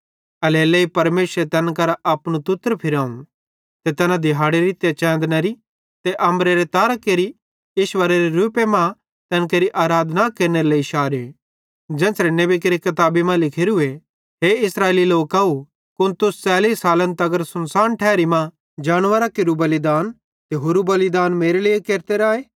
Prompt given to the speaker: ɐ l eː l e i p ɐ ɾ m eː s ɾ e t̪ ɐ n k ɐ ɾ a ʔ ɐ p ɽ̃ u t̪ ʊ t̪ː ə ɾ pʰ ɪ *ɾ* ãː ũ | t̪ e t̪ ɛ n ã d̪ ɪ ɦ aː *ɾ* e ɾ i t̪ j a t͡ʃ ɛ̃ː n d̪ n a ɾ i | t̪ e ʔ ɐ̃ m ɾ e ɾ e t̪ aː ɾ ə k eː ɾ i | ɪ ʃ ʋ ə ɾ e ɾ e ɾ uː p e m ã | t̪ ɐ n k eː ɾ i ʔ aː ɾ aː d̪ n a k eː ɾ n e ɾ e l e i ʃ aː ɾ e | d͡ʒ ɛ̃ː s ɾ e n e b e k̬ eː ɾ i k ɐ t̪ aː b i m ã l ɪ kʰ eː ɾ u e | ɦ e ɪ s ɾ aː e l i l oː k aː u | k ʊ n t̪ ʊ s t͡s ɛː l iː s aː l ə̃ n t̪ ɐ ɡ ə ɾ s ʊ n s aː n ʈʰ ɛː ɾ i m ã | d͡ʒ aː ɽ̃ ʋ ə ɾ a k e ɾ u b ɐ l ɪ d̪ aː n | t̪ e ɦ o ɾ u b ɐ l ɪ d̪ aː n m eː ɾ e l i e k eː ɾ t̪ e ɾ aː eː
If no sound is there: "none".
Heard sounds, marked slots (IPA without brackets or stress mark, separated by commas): ɾ, ɽ